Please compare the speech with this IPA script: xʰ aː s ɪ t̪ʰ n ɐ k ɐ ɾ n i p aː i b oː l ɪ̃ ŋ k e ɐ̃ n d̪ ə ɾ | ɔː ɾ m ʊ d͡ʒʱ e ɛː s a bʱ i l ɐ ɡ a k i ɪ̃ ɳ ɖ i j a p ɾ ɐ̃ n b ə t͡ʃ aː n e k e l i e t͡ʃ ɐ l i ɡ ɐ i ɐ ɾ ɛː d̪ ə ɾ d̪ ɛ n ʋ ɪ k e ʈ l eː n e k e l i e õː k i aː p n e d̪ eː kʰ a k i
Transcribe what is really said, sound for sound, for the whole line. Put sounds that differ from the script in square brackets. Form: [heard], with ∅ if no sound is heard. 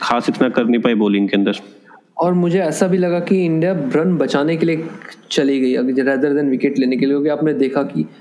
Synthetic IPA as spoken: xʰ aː s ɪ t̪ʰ n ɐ k ɐ ɾ n i p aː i b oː l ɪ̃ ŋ k e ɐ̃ n d̪ ə ɾ | ɔː ɾ m ʊ d͡ʒʱ e ɛː s a bʱ i l ɐ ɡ a k i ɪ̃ ɳ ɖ i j a [b] ɾ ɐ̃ n b [ɐ] t͡ʃ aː n e k e l i e t͡ʃ ɐ l i ɡ ɐ i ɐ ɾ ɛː d̪ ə ɾ d̪ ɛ n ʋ ɪ k e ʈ l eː n e k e l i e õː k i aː p n e d̪ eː kʰ a k i